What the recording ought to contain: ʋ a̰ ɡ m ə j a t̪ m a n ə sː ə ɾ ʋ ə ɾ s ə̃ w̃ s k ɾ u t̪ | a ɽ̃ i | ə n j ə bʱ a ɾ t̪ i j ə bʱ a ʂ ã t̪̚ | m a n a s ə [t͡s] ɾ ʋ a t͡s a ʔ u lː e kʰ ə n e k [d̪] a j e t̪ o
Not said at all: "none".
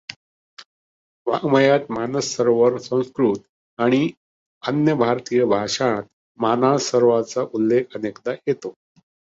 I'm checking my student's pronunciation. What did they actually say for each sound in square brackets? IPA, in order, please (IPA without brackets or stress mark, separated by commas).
none, d̪